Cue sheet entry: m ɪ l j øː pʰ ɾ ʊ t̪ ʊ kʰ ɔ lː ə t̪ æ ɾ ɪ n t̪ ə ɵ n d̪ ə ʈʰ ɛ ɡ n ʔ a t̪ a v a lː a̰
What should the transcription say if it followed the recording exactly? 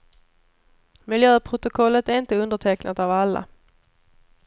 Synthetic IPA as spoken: m ɪ l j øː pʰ ɾ ʊ t̪ ʊ kʰ ɔ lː ə t̪ æ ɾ ɪ n t̪ ə ɵ n d̪ ə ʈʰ ɛ k n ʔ a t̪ a v a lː a̰